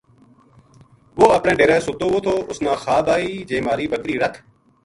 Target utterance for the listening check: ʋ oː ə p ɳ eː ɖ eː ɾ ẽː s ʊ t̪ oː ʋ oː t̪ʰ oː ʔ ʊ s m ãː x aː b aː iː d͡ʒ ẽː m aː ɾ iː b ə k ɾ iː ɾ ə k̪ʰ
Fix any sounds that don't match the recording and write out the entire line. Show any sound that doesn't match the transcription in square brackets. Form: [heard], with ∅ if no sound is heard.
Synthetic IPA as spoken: ʋ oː ə p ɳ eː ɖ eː ɾ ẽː s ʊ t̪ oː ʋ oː t̪ʰ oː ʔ ʊ s [n] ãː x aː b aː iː d͡ʒ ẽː m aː ɾ iː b ə k ɾ iː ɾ ə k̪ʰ